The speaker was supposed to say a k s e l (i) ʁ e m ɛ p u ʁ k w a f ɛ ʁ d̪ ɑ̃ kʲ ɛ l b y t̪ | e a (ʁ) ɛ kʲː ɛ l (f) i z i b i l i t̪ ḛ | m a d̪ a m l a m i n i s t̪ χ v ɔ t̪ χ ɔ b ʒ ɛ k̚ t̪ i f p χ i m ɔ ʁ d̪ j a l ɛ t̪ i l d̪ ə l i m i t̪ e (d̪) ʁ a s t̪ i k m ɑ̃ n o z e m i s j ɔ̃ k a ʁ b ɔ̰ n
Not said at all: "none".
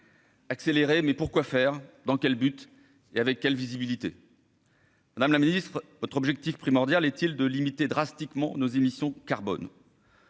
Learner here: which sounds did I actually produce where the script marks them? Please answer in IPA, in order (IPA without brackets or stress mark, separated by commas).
e, v, v, d̪